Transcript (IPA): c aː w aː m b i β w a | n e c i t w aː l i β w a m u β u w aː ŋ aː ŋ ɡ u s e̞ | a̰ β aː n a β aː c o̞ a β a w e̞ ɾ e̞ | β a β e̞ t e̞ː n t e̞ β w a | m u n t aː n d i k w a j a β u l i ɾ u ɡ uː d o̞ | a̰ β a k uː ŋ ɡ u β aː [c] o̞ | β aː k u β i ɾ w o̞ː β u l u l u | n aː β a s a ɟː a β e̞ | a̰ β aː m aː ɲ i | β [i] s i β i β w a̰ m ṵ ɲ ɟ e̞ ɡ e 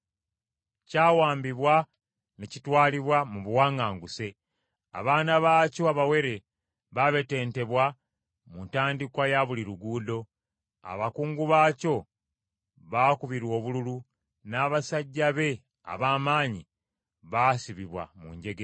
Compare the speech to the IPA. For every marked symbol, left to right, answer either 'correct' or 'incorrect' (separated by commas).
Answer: correct, incorrect